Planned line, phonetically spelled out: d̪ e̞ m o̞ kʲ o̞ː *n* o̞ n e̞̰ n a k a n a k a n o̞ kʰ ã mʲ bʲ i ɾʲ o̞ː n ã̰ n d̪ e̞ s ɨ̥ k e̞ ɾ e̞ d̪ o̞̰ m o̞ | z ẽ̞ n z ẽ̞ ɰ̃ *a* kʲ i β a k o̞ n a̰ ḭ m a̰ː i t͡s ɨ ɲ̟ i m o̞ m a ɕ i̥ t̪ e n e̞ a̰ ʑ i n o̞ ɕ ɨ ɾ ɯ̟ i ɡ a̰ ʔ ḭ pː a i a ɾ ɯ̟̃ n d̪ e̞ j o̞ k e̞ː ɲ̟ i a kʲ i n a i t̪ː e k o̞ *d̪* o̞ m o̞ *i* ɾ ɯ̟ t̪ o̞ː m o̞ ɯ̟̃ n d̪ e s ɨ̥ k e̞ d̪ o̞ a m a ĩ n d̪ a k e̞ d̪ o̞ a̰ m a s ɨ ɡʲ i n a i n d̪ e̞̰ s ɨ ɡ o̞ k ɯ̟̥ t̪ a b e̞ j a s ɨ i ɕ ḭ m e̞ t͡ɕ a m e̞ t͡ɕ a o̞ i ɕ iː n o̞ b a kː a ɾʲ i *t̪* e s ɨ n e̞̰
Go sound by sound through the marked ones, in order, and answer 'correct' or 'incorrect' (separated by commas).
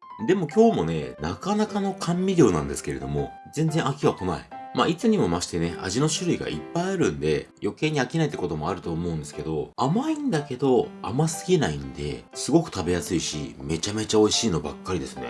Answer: incorrect, correct, incorrect, incorrect, incorrect